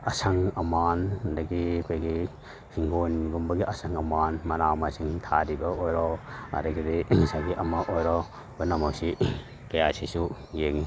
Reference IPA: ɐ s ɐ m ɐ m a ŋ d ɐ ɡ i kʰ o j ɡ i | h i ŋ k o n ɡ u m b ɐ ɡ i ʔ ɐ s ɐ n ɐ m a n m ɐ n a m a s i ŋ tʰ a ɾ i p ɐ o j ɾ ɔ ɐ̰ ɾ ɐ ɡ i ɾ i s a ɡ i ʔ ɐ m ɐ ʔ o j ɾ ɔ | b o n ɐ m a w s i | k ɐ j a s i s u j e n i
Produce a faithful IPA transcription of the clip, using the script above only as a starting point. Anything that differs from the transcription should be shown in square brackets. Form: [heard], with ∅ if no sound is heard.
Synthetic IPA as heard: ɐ s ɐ [ŋ] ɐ m a [n] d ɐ ɡ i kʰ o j ɡ i | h i ŋ [ɡ] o n ɡ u m b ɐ ɡ i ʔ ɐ s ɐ [ŋ] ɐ m a n m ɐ n a m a s i ŋ tʰ a ɾ i [b] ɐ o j ɾ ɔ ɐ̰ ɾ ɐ ɡ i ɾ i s a ɡ i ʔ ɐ m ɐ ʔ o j ɾ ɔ | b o n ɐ m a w s i | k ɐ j a s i s u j e [ŋ] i